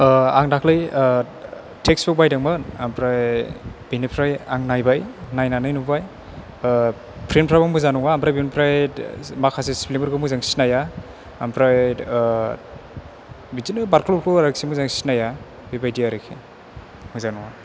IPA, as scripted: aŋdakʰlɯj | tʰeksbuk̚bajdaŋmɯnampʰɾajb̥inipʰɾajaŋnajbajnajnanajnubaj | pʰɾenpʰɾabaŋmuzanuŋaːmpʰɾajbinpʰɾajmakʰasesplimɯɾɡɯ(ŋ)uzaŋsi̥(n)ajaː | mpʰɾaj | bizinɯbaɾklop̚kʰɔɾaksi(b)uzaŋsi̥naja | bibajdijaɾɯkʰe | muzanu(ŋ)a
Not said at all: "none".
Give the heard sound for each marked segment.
m, n, m, ŋ

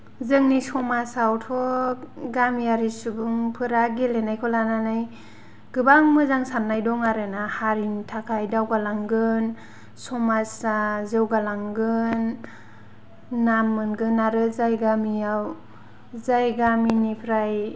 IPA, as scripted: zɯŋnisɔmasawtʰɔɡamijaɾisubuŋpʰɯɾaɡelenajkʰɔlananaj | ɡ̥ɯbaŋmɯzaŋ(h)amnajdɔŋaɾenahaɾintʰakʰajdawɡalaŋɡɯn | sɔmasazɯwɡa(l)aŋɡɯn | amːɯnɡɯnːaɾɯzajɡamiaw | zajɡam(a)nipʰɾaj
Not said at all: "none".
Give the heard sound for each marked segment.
s, l, i

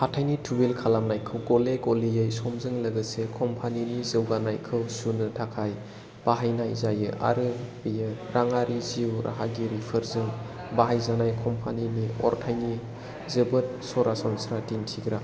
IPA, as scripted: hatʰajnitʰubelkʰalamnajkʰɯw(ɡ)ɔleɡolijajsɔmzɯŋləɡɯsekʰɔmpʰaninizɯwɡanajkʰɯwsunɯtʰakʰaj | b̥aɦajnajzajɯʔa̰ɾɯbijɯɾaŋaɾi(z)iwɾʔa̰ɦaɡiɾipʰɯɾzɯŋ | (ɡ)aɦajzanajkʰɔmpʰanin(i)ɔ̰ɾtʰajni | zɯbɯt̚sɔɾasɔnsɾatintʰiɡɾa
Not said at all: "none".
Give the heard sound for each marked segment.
ɡ, z, b, i

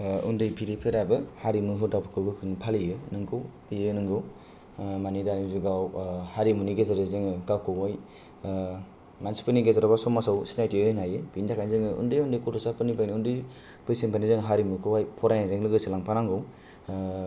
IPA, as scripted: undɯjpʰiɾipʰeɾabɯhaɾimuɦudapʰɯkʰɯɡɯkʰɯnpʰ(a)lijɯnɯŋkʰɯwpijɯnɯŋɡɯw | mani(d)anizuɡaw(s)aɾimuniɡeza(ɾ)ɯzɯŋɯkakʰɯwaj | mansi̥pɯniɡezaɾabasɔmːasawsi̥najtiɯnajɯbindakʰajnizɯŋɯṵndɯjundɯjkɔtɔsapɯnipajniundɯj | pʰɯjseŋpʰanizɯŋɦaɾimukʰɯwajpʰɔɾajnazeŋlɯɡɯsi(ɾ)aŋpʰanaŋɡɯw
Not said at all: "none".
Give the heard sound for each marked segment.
a, d, h, ɾ, l

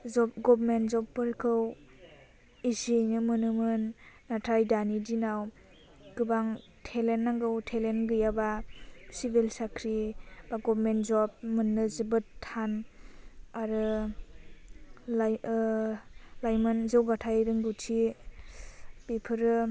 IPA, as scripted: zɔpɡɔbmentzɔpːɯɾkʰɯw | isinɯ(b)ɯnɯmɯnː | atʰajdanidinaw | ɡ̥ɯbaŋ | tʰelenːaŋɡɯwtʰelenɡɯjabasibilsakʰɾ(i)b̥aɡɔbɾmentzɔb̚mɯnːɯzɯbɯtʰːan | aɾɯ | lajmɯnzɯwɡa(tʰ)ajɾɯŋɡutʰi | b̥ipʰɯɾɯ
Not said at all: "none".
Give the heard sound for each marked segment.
m, i, tʰ

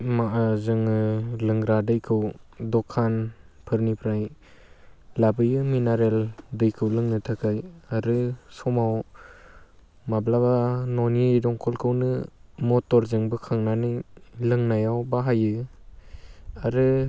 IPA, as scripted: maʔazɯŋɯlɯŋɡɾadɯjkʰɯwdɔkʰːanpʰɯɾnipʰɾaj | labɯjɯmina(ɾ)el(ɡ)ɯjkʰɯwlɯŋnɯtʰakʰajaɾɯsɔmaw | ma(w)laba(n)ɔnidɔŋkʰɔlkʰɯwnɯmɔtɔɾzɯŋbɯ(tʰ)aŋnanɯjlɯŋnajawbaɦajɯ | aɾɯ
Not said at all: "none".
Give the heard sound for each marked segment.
ɾ, d, b, n, kʰ

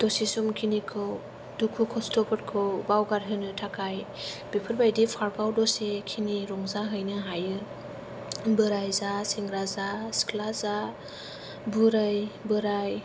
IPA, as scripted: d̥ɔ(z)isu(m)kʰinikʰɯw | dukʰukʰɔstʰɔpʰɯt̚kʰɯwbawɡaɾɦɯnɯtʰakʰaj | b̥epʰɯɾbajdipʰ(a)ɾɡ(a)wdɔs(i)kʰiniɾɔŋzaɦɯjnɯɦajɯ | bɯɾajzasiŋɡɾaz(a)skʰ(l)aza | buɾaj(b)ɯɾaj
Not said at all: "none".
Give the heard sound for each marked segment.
s, m, a, a, e, a, l, b

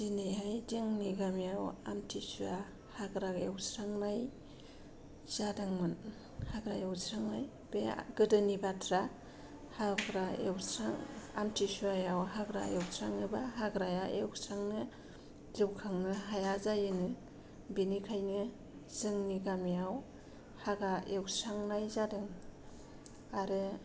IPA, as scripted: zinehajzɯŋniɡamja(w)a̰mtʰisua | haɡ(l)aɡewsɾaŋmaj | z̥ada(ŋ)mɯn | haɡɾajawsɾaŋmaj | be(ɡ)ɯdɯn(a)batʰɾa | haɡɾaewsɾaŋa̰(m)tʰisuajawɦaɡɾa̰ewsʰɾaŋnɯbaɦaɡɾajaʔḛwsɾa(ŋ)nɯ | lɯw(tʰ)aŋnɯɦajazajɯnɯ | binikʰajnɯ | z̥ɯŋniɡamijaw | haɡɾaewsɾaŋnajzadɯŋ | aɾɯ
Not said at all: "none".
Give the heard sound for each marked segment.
w, ɾ, ŋ, ɡ, i, m, ŋ, kʰ

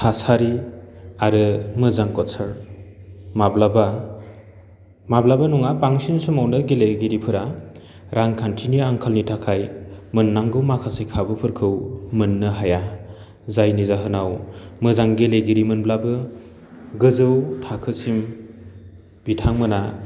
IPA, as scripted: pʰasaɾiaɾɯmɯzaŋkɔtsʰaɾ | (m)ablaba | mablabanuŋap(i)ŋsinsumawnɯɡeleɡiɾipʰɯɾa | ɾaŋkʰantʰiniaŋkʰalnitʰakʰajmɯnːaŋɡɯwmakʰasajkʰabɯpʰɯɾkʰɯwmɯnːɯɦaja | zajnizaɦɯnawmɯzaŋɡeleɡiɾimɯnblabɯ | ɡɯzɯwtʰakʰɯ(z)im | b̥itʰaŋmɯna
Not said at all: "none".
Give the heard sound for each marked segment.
m, a, s

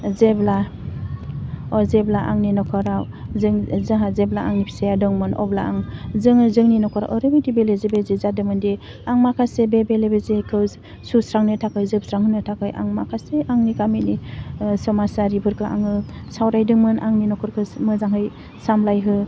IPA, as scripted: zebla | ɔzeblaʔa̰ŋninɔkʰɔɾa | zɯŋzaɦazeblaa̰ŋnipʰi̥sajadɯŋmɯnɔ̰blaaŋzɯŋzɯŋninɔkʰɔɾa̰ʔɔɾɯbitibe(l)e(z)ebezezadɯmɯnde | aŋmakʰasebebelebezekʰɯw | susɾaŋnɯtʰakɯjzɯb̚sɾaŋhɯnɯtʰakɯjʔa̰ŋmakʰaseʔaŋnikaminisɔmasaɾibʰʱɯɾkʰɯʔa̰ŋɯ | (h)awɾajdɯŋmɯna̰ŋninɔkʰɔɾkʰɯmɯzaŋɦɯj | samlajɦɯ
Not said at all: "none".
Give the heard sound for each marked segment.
l, z, s

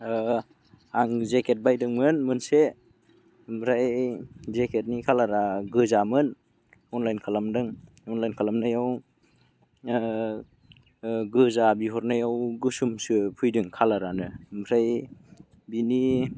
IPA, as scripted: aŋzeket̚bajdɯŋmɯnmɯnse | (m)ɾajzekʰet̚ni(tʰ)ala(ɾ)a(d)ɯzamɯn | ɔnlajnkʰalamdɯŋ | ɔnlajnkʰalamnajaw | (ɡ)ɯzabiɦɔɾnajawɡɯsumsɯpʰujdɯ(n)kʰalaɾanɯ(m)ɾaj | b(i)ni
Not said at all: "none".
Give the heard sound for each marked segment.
m, kʰ, ɾ, ɡ, ɡ, ŋ, m, i

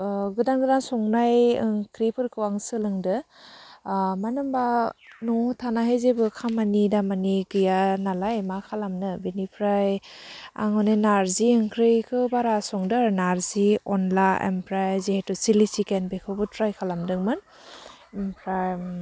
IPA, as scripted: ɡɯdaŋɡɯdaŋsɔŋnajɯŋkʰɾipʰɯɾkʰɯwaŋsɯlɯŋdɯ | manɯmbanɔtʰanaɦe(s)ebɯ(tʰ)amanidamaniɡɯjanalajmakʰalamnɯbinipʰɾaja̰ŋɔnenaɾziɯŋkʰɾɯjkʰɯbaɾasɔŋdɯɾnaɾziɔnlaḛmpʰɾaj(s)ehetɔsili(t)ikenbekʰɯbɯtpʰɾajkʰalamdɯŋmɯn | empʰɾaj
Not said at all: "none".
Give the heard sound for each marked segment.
z, kʰ, z, s

